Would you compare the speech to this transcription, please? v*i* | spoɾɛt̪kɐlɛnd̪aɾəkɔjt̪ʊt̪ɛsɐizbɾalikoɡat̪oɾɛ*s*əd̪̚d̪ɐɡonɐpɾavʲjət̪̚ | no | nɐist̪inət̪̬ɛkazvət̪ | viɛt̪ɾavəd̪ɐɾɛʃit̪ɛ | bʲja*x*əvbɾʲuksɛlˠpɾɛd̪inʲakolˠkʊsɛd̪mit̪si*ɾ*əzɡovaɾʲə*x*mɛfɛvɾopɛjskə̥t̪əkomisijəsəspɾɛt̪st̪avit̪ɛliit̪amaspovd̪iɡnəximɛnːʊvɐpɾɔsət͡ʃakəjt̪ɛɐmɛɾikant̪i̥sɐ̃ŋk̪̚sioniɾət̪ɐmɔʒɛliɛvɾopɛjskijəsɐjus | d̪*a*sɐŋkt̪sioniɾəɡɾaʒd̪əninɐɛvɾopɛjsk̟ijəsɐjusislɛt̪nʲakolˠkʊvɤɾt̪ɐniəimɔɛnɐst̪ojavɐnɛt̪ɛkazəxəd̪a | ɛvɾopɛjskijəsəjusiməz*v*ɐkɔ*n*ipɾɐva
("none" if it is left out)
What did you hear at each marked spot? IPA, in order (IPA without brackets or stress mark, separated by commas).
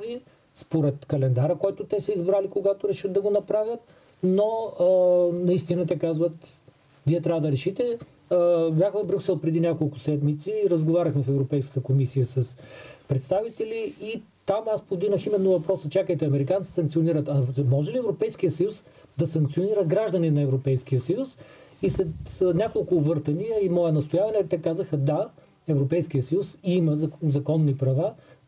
i, ʃ, x, ɾ, x, ɐ, z, nː